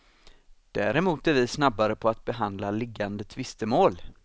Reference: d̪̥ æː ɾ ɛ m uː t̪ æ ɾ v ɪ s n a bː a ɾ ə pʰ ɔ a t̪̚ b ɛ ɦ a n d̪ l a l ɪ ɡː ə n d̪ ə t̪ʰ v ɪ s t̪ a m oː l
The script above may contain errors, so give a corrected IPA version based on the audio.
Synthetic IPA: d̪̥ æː ɾ ɛ m uː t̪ æ ɾ v ɪ s n a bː a ɾ ə pʰ ɔ a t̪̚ b ɛ ɦ a n d̪ l a l ɪ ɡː a n d̪ ə t̪ʰ v ɪ s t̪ ə m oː l